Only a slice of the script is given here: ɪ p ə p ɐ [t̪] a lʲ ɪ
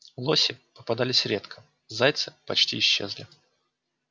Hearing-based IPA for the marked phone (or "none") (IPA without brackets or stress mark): d̪